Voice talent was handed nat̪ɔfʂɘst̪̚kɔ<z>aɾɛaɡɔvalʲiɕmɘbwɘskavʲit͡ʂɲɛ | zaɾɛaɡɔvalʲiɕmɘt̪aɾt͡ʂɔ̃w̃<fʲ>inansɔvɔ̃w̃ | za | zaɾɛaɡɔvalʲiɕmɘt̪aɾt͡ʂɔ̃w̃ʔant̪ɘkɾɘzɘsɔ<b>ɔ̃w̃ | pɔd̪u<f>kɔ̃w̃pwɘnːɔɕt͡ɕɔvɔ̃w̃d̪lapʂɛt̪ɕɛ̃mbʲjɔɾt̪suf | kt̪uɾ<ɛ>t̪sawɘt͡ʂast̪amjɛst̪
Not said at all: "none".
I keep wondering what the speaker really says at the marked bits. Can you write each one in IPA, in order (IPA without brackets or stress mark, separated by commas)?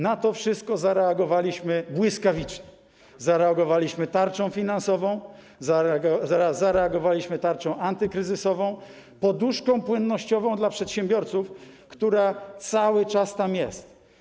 z, fʲ, v, ʂ, a